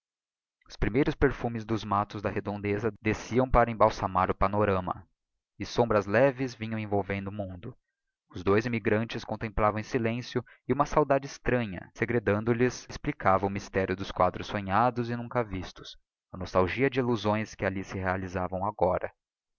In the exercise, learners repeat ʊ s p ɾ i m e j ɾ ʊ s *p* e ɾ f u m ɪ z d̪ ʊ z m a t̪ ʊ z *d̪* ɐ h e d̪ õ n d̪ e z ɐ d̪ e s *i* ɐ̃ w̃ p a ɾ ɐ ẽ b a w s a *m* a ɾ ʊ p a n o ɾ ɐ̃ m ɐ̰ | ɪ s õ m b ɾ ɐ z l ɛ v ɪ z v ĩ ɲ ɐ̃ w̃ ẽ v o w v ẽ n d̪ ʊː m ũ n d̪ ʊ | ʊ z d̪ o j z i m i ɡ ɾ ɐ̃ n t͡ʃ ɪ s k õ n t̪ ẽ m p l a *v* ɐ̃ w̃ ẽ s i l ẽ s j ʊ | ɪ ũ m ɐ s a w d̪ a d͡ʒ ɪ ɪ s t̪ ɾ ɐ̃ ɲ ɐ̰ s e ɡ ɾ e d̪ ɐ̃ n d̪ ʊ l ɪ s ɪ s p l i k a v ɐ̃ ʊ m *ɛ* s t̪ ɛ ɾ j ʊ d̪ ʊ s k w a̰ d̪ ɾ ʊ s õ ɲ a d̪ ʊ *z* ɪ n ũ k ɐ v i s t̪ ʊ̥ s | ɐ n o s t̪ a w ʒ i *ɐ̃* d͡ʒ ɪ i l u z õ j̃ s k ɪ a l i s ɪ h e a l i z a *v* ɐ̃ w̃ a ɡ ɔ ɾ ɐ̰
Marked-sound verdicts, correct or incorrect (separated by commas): correct, correct, correct, correct, correct, incorrect, correct, incorrect, correct